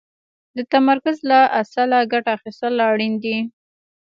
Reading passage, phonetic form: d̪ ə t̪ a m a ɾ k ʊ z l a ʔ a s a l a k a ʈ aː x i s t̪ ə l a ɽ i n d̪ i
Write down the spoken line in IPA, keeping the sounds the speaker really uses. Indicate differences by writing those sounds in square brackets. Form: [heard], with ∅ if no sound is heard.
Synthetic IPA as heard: d̪ ə t̪ a m a ɾ k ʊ z l a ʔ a s a l a [ɡ] a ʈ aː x i s t̪ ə l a ɽ i n d̪ i